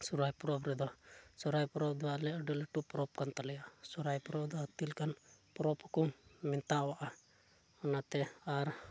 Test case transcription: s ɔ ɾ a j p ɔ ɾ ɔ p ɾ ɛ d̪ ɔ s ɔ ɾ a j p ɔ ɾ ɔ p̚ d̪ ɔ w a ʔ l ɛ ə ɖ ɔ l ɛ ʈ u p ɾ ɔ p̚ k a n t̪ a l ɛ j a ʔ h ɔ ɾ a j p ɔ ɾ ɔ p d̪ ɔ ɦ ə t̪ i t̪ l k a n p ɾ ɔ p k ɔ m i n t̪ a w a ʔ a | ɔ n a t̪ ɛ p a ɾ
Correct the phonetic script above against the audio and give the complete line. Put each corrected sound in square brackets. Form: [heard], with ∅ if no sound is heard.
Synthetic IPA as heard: s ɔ ɾ a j p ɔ ɾ ɔ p ɾ ɛ d̪ ɔ s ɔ ɾ a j p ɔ ɾ ɔ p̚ d̪ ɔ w a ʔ l ɛ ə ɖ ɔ l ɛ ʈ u p ɾ ɔ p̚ k a n t̪ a l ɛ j a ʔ [s] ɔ ɾ a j p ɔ ɾ ɔ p d̪ ɔ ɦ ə t̪ i [∅] l k a n p ɾ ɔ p k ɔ m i n t̪ a w a ʔ a | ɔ n a t̪ ɛ [∅] a ɾ

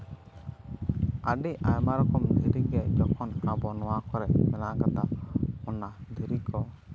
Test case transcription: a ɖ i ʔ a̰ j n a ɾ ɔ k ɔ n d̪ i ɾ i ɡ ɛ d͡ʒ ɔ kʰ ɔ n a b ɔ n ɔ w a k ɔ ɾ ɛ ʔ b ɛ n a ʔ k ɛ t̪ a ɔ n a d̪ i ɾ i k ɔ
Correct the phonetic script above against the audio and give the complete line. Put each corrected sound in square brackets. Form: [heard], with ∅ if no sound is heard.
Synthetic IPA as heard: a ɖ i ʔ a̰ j [m] a ɾ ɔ k ɔ [m] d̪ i ɾ i ɡ ɛ d͡ʒ ɔ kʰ ɔ n a b ɔ n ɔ w a k ɔ ɾ ɛ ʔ [m] ɛ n a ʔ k [a] t̪ a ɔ n a d̪ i ɾ i k ɔ

